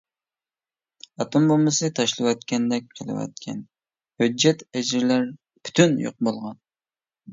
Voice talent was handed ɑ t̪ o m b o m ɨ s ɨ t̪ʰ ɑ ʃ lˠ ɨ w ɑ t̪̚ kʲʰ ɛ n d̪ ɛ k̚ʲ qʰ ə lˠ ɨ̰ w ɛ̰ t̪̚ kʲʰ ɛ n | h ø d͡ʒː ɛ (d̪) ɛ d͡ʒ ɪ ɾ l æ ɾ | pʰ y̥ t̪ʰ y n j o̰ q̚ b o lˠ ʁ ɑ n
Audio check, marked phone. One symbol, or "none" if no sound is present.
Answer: t̪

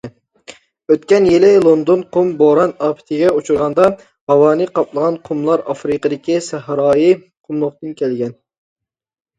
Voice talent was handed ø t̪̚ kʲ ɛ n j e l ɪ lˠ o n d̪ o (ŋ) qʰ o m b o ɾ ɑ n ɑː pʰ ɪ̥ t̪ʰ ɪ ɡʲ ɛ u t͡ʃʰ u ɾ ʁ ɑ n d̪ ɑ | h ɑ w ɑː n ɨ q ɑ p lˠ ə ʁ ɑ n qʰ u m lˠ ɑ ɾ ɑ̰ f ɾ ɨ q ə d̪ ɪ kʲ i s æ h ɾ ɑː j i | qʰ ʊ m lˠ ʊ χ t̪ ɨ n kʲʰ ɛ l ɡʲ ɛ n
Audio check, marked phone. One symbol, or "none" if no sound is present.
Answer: n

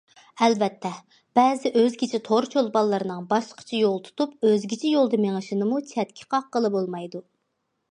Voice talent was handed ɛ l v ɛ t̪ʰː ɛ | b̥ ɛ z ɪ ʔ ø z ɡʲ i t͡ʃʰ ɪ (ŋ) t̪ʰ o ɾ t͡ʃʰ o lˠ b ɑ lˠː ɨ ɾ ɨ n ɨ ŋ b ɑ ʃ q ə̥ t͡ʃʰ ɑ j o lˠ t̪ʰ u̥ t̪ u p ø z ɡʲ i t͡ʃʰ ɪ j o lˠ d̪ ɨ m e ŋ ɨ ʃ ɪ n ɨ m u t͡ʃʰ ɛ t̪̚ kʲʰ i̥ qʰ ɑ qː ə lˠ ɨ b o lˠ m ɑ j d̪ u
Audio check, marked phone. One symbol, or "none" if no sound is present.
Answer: none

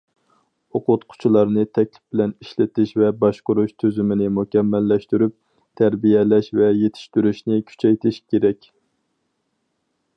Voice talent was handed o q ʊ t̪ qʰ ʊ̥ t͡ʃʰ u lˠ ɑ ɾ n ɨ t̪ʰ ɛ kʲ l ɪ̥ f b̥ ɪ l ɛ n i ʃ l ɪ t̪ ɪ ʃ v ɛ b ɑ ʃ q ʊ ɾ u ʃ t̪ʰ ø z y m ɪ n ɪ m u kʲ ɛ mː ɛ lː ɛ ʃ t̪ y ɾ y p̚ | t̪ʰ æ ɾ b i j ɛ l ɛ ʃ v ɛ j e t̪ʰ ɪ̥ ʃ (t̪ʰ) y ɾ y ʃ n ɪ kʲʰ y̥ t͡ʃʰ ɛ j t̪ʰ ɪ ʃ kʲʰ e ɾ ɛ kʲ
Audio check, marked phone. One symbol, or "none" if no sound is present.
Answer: t̪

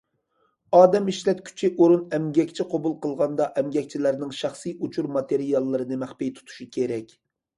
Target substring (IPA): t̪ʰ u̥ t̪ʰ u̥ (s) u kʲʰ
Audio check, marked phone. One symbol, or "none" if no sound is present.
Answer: ʃ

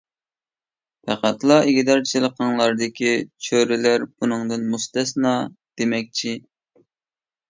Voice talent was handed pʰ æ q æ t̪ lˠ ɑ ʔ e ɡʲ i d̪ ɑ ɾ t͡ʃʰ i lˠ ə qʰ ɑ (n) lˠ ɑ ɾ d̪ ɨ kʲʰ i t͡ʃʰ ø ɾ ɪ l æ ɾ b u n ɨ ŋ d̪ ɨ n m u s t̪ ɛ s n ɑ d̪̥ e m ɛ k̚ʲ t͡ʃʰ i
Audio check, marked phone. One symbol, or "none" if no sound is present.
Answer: ŋ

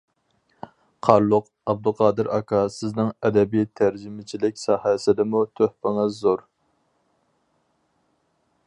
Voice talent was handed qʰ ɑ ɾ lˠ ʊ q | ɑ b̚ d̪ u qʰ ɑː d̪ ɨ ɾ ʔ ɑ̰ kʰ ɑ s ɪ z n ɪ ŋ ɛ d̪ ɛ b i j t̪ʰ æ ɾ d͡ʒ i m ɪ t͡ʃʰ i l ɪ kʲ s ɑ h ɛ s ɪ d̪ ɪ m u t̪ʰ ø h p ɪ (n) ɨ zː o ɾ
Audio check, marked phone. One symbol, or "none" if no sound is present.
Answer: ŋ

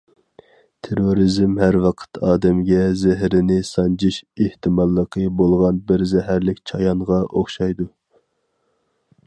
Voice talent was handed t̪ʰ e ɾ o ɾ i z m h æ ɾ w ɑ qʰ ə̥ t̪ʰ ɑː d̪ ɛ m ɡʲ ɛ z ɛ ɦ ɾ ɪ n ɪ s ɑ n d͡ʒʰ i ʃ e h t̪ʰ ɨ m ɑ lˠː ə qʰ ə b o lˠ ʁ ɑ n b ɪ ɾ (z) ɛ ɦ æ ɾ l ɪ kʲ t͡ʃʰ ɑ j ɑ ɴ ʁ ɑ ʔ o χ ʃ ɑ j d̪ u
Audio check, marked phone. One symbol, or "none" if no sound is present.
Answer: z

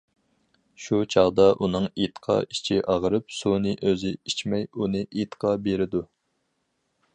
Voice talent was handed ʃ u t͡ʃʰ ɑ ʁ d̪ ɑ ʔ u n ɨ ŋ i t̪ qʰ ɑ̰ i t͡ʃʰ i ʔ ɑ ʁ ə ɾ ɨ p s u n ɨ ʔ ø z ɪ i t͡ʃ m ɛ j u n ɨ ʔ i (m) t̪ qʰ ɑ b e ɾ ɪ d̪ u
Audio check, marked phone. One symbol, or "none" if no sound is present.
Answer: none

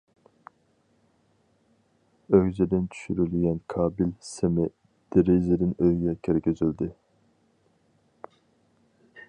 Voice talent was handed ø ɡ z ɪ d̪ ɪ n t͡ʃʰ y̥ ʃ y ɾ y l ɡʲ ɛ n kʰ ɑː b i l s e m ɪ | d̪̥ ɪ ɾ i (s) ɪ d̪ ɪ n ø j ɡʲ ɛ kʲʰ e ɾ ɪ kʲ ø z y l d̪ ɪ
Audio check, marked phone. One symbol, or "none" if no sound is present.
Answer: z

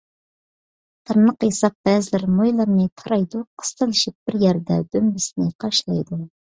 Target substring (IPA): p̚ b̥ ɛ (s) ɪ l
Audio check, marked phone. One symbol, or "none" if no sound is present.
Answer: z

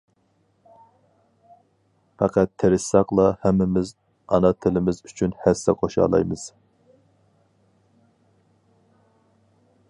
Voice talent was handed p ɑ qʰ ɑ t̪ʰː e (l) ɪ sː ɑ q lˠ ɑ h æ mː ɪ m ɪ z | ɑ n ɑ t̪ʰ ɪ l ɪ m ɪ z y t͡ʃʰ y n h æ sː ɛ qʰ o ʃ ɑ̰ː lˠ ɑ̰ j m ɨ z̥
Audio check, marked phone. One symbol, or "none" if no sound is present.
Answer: ɾ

